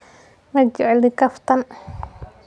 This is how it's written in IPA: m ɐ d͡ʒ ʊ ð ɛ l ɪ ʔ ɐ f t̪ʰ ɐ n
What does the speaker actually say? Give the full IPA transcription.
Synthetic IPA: m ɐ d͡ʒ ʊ ʕ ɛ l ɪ k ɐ f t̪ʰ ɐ n